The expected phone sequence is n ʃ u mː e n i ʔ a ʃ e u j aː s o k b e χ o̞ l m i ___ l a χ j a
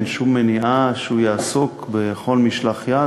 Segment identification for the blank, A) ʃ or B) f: A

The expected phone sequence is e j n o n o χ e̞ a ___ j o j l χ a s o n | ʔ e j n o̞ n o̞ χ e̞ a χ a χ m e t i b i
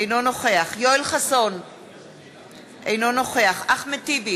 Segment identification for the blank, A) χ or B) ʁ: A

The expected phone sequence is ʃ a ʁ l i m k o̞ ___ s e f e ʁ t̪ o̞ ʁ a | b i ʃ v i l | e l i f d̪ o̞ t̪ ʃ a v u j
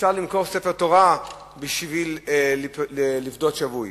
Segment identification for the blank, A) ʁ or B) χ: A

